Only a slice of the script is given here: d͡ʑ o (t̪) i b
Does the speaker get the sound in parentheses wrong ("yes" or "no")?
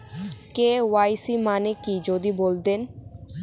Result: yes